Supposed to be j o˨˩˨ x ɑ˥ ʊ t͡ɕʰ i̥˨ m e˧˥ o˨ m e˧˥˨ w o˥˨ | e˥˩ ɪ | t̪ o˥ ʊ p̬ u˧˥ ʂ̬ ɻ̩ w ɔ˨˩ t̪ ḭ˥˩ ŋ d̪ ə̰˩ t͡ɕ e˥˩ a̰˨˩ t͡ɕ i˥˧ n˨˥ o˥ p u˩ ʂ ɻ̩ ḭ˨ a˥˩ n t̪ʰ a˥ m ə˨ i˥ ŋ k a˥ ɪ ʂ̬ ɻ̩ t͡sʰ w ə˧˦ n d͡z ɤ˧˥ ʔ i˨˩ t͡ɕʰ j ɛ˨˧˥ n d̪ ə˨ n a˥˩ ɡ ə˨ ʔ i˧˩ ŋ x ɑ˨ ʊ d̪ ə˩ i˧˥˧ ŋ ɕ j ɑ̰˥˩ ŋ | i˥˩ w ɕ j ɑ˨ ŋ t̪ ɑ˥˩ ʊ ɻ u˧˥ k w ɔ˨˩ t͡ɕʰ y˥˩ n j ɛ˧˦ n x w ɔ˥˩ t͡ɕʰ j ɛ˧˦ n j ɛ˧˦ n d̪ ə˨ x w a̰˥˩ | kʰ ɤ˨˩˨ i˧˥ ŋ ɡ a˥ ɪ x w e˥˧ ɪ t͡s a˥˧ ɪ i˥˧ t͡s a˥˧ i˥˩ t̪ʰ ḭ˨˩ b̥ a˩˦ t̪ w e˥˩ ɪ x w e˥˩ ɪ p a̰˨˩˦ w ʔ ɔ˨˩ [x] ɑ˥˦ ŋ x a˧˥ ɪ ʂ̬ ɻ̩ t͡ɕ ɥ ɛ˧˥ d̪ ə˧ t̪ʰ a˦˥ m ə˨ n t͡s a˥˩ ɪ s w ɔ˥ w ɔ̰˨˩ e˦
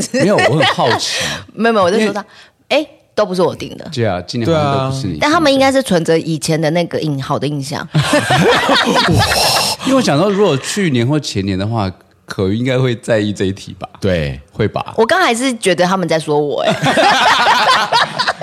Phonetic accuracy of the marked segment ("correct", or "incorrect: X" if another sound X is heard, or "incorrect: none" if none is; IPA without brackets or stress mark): incorrect: k